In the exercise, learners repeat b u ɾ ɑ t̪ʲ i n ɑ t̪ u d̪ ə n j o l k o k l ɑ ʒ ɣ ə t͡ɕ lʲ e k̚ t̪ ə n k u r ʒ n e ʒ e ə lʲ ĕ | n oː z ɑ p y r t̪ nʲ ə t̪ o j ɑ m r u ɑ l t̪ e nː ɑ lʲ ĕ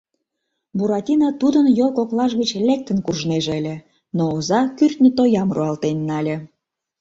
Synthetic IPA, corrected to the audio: b u ɾ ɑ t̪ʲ i n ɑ t̪ u d̪ ə n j o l k o k l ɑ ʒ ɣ ə t͡ɕ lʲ e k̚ t̪ ə n k u r ʒ n e ʒ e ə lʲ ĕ | n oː z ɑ k y r t̪ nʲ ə t̪ o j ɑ m r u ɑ l t̪ e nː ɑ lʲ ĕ